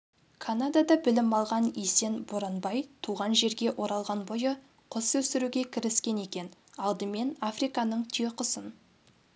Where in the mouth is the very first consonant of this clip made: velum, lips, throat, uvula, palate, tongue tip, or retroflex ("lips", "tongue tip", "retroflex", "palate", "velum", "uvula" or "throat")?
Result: velum